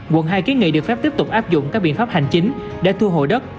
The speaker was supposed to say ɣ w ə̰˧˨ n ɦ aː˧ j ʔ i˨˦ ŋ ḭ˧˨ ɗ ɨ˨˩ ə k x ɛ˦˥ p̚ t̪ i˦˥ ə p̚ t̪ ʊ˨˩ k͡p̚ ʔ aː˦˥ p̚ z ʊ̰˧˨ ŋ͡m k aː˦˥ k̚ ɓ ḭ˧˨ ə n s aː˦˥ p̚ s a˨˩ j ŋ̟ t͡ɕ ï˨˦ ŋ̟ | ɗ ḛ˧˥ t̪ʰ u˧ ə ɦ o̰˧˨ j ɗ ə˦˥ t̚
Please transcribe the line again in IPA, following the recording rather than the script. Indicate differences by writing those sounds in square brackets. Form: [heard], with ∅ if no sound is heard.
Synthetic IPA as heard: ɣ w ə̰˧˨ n ɦ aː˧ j [k] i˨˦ ŋ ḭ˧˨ ɗ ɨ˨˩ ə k [f] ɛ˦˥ p̚ t̪ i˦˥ ə p̚ t̪ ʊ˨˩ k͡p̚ ʔ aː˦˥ p̚ z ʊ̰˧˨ ŋ͡m k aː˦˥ k̚ ɓ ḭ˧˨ ə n [f] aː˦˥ p̚ [h] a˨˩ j ŋ̟ t͡ɕ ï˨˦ ŋ̟ | ɗ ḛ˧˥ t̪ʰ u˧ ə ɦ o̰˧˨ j ɗ ə˦˥ t̚

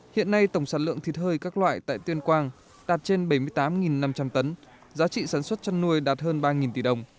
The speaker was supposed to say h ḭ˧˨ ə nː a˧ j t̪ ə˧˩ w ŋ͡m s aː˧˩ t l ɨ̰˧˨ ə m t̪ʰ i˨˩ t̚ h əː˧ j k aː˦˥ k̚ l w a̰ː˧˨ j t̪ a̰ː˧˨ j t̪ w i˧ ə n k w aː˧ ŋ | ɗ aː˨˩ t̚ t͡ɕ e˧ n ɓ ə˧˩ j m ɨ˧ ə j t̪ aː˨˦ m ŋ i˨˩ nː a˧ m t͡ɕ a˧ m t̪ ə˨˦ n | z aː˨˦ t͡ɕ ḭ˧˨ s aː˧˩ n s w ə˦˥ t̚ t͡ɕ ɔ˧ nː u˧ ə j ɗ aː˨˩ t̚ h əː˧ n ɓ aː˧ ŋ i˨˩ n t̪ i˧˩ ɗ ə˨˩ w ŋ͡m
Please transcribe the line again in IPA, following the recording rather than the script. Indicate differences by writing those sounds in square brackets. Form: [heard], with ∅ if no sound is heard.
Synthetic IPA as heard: h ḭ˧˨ ə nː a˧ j t̪ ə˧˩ w ŋ͡m s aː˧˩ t l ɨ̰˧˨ ə [ŋ] t̪ʰ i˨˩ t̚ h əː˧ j k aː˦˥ k̚ l w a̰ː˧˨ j t̪ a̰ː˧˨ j t̪ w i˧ ə n k w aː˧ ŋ | ɗ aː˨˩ t̚ t͡ɕ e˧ n ɓ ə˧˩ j m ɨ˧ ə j t̪ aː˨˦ m ŋ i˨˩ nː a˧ m t͡ɕ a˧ m t̪ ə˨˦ n | z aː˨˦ t͡ɕ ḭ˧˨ s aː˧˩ n s w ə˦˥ t̚ t͡ɕ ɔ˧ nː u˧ ə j ɗ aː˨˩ t̚ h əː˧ n ɓ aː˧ ŋ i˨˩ n t̪ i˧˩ ɗ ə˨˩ w ŋ͡m

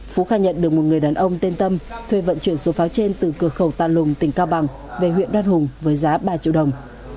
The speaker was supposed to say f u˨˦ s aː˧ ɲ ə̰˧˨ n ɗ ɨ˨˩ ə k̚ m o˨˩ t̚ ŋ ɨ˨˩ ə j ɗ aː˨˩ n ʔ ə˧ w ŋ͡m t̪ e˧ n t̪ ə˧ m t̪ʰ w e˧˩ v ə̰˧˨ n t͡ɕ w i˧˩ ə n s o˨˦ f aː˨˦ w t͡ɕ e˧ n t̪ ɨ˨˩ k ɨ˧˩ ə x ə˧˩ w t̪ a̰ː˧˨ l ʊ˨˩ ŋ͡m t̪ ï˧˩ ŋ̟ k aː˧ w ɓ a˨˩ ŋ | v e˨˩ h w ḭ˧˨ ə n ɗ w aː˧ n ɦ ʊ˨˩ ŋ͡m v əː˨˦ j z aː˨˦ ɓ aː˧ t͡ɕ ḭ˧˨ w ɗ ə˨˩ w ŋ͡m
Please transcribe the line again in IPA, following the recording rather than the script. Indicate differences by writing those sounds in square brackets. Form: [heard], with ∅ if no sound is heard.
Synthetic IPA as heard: f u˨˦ [x] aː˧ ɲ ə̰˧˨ n ɗ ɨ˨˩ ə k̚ m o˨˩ t̚ ŋ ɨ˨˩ ə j ɗ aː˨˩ n ʔ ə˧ w ŋ͡m t̪ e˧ n t̪ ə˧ m t̪ʰ w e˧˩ v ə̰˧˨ n t͡ɕ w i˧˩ ə n s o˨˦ f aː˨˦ w t͡ɕ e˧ n t̪ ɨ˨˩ k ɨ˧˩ ə x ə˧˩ w t̪ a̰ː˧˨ l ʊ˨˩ ŋ͡m t̪ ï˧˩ ŋ̟ k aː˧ w ɓ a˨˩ ŋ | v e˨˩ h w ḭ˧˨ ə n ɗ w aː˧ n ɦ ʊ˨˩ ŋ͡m v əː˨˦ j z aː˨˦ ɓ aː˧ t͡ɕ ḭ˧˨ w ɗ ə˨˩ w ŋ͡m

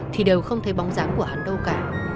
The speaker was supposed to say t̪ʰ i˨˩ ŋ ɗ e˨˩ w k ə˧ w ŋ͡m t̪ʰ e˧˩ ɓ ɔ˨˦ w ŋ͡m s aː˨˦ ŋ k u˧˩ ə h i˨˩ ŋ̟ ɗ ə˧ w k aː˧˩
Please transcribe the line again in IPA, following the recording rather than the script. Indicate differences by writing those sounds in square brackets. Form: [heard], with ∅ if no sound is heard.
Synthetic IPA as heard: t̪ʰ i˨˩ [∅] ɗ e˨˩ w [x] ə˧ w ŋ͡m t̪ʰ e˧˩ ɓ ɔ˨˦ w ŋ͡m [z] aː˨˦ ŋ k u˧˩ ə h [a˨˩] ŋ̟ ɗ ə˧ w k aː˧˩

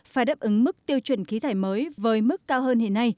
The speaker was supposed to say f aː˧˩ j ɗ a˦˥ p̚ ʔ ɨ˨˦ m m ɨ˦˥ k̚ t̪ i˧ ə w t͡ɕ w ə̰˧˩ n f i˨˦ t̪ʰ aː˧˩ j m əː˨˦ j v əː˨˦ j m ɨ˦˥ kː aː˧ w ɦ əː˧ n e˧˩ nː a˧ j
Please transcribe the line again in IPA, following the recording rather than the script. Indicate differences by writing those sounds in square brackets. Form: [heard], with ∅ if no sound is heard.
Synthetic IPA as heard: f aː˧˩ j ɗ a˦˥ p̚ ʔ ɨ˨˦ [ŋ] m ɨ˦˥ k̚ t̪ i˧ ə w t͡ɕ w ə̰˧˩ n [x] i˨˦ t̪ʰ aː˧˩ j m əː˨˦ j v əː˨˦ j m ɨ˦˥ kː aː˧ w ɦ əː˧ n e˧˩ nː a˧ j

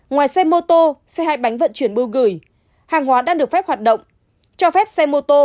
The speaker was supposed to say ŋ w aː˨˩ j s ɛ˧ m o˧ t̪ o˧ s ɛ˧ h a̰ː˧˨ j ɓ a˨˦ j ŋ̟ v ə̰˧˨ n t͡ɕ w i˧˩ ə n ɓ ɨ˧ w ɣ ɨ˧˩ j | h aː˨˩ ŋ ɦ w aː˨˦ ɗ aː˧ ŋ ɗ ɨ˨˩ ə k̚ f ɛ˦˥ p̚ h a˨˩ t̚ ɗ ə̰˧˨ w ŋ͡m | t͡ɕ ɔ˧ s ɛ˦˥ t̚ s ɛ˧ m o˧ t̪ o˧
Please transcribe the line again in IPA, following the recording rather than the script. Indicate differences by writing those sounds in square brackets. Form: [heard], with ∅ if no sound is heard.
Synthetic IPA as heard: ŋ w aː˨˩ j s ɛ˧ m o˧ t̪ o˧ s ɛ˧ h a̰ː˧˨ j ɓ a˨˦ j ŋ̟ v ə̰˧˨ n t͡ɕ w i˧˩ ə n ɓ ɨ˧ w ɣ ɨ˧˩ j | h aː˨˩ ŋ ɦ w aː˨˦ ɗ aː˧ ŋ ɗ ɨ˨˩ ə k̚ f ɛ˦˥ p̚ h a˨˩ t̚ ɗ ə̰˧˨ w ŋ͡m | t͡ɕ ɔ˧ [f] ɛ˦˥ [p̚] s ɛ˧ m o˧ t̪ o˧

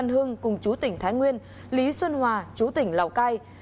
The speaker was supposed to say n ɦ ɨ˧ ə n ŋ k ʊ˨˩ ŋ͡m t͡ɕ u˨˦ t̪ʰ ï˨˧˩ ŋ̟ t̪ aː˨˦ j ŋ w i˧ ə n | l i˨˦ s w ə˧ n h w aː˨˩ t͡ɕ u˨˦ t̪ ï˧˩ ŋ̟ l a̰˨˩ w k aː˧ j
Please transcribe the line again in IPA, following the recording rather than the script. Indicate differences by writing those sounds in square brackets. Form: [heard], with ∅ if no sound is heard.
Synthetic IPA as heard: n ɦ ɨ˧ ə [∅] ŋ k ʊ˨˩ ŋ͡m t͡ɕ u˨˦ [t̪] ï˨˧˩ ŋ̟ [t̪ʰ] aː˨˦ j ŋ w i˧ ə n | l i˨˦ s w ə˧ n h w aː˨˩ t͡ɕ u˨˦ t̪ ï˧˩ ŋ̟ l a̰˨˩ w k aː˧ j

